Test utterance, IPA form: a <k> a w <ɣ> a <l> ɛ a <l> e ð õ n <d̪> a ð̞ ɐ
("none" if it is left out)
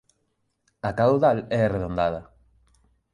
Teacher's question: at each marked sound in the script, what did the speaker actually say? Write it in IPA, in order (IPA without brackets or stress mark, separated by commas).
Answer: k, ð, l, r, d̪